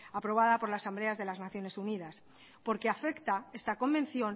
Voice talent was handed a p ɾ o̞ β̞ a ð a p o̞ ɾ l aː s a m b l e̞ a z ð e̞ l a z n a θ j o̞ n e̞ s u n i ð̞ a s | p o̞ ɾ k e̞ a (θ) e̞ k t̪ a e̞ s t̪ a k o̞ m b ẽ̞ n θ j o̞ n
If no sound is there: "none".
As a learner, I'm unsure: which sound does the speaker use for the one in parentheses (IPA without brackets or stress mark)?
f